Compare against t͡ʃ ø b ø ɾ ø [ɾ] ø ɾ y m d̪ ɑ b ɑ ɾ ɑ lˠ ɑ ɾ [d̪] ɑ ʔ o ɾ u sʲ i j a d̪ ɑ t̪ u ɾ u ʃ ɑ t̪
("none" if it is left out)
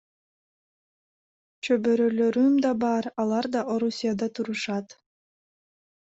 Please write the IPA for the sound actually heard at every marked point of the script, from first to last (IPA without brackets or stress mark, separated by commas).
l, d̪